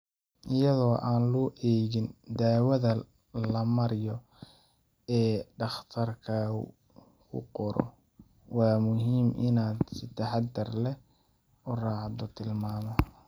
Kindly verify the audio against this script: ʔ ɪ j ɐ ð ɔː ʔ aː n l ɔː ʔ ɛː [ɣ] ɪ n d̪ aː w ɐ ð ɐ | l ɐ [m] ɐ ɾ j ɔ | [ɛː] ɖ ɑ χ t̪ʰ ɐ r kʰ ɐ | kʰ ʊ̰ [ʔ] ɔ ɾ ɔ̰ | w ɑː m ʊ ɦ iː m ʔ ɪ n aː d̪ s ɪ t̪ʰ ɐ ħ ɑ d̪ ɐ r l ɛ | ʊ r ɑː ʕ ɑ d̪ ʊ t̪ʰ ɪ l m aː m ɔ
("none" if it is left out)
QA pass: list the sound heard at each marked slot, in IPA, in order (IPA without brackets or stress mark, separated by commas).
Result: ɣ, m, ɛː, q